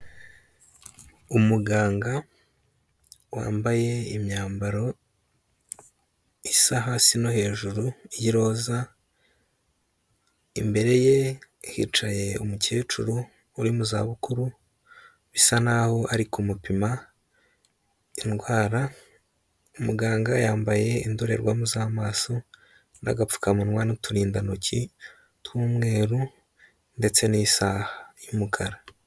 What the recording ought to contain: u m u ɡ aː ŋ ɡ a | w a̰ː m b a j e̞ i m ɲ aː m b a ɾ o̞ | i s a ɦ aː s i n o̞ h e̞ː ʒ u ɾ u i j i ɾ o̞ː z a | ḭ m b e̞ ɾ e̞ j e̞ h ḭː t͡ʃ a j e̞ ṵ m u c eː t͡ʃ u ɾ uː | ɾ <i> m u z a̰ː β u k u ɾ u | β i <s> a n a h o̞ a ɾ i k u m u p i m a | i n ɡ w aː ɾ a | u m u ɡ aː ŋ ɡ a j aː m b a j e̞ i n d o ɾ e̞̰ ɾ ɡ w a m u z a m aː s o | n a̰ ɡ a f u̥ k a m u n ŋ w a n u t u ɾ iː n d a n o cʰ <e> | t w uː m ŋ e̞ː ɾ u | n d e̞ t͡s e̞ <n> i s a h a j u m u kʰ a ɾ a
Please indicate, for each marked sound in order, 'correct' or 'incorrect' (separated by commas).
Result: correct, correct, incorrect, correct